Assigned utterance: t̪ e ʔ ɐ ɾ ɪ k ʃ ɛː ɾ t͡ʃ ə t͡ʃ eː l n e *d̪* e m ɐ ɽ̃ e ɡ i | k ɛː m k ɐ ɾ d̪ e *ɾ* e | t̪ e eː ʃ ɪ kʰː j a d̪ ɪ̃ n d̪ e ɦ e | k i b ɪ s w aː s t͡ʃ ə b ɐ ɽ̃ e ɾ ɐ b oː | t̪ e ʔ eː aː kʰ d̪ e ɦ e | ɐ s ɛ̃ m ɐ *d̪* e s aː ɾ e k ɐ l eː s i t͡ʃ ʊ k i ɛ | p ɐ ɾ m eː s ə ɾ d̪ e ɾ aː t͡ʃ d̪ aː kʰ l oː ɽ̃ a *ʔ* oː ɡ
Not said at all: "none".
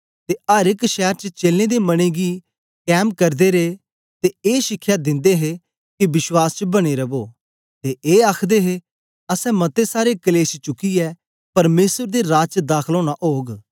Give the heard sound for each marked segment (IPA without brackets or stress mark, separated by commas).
d̪, ɾ, t̪, ʔ